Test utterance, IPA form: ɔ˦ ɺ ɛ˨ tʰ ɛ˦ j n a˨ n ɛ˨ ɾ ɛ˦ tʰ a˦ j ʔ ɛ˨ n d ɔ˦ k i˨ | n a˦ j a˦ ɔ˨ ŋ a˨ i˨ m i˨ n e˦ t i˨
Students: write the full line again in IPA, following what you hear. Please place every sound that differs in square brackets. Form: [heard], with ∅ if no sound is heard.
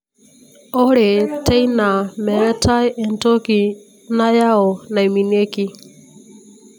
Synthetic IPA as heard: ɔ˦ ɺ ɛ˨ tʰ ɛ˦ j n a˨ [m] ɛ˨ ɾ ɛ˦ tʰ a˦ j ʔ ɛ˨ n [t] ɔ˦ k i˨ | n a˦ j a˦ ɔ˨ [n] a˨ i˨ m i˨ n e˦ [k] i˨